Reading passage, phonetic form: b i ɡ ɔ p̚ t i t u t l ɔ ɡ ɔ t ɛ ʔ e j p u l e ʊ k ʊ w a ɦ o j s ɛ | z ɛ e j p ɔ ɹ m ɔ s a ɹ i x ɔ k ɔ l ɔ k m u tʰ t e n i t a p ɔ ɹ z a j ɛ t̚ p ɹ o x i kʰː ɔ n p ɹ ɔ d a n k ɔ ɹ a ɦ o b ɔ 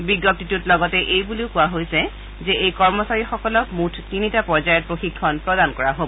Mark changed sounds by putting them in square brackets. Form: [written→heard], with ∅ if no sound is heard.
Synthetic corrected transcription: b i ɡ ɔ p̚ t i t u t l ɔ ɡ ɔ t ɛ ʔ e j [p→b] u l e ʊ k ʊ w a ɦ o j s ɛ | z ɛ e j [p→k] ɔ ɹ m ɔ s a ɹ i x ɔ k ɔ l ɔ k m u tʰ t [e→i] n i t a p ɔ ɹ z a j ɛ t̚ p ɹ o x i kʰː ɔ n p ɹ ɔ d a n k ɔ ɹ a ɦ o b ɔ